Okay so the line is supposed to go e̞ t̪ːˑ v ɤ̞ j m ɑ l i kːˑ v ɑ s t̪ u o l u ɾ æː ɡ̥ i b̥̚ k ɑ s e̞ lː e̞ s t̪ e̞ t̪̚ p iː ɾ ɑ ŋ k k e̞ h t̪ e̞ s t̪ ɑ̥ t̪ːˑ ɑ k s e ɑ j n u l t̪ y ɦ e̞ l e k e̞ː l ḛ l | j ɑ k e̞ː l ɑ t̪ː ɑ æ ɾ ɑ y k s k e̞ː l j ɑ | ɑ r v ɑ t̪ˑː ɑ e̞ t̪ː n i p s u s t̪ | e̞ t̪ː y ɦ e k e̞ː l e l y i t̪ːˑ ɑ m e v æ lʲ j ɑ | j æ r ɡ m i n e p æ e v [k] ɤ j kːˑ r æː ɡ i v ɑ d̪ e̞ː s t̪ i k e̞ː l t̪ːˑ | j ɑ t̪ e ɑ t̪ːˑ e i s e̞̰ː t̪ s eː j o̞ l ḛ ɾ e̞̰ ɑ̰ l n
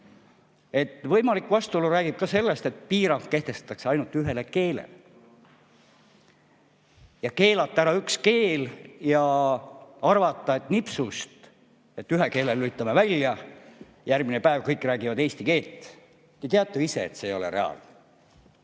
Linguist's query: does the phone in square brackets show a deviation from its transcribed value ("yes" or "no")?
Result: no